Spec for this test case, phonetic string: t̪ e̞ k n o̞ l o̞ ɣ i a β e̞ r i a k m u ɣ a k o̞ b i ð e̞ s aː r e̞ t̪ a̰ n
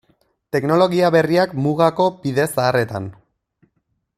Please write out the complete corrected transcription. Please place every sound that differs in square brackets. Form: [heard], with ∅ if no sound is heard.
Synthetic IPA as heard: t̪ e̞ k n o̞ l o̞ ɣ i a β e̞ r i a k m u ɣ a k o̞ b i ð e̞ s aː r e̞ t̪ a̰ n